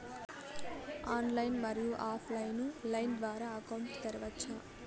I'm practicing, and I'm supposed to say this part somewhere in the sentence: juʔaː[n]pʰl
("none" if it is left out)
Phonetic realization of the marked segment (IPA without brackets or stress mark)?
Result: none